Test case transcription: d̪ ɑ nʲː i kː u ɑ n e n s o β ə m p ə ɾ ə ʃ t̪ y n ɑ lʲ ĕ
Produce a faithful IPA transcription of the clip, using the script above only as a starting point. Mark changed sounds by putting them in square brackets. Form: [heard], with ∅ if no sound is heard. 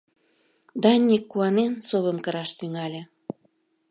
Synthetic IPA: d̪ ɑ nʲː i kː u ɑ n e n s o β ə m [k] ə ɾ [ɑ] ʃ t̪ y [ŋ] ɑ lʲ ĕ